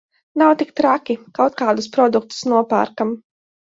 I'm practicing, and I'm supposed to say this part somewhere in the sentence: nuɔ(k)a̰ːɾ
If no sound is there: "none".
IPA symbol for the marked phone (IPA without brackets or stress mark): p